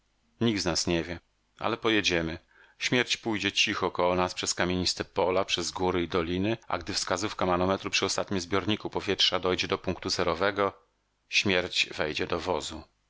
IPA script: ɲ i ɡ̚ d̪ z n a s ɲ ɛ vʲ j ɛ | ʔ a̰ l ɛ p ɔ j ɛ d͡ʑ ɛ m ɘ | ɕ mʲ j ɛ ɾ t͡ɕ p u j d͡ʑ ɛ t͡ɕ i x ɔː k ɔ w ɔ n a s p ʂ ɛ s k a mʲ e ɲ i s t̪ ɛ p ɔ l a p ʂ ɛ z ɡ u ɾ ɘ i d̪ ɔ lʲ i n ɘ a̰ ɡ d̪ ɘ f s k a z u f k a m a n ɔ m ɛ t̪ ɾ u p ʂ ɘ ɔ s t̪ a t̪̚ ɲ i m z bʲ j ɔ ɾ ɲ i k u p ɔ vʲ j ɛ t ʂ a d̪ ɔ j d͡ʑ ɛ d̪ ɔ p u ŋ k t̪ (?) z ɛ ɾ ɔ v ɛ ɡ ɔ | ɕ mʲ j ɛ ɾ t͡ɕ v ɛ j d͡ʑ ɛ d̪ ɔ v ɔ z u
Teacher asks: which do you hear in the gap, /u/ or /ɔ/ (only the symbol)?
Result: u